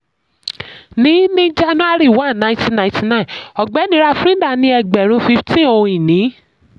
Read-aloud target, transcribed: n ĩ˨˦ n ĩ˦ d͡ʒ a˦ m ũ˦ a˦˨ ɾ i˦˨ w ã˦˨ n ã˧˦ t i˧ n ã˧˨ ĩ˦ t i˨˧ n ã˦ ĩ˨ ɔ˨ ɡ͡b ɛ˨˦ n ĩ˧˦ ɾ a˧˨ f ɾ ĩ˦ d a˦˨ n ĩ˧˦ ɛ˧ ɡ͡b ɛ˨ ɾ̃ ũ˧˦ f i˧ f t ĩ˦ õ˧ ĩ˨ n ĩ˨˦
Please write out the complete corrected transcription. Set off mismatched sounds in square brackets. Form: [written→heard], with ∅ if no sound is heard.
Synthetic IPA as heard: n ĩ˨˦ n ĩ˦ d͡ʒ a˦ [m→n] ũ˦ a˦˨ ɾ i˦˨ w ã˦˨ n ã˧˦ t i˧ n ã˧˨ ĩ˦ t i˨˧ n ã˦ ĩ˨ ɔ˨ ɡ͡b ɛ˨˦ n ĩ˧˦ ɾ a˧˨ f ɾ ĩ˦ d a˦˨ n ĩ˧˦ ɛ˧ ɡ͡b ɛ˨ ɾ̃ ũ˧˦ f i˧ f t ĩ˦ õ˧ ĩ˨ n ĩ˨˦